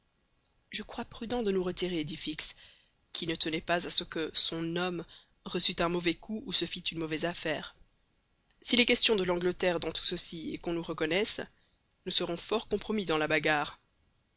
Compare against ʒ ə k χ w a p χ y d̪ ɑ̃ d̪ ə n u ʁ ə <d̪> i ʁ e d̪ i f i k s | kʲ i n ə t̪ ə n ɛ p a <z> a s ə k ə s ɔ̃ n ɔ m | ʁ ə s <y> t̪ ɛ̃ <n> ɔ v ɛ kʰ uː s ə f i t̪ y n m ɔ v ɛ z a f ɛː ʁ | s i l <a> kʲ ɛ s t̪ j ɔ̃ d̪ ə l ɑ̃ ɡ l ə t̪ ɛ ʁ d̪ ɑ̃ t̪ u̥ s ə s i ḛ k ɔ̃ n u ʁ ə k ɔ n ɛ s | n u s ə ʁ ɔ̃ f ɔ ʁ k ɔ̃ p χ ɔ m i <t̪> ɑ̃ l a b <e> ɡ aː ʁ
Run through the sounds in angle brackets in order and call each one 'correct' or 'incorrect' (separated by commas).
incorrect, correct, correct, incorrect, incorrect, incorrect, incorrect